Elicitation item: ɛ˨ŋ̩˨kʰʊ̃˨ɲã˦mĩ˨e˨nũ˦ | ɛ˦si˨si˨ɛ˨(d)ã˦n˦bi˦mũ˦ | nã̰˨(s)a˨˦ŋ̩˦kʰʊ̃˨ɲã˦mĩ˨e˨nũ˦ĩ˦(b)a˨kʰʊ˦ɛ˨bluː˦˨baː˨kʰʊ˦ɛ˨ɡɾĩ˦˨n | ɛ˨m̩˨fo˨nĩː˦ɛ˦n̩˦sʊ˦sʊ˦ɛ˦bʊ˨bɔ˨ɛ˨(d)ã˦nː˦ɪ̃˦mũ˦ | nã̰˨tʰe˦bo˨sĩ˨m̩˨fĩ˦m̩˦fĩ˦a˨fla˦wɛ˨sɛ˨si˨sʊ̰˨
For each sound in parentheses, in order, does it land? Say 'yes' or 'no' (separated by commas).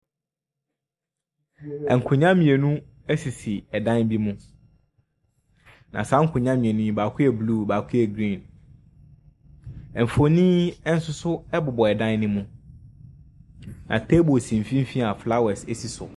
yes, yes, yes, yes